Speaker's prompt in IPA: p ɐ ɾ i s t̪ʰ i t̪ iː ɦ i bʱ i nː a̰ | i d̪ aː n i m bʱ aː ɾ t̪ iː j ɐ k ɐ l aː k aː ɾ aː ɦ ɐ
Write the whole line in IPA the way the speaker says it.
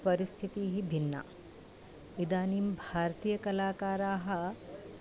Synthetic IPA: p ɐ ɾ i s t̪ʰ i t̪ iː ɦ i bʱ i nː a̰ | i d̪ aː n i m bʱ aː ɾ t̪ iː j ɐ k ɐ l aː k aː ɾ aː ɦ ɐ